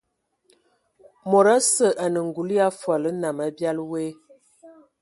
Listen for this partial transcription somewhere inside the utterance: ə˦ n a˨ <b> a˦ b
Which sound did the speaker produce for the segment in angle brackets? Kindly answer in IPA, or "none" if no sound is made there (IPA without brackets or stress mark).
m